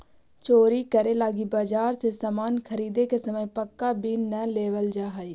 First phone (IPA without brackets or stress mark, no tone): t͡ʃ